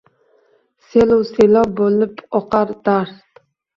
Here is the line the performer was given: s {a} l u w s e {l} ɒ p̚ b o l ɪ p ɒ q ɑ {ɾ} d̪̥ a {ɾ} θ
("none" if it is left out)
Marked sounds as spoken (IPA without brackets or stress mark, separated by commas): e, l, ɾ, ɾ